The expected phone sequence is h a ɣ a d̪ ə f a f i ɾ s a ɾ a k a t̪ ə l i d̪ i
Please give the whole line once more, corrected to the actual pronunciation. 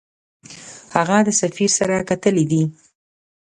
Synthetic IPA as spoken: h a ɣ a d̪ ə s a f i ɾ s a ɾ a k a t̪ ə l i d̪ i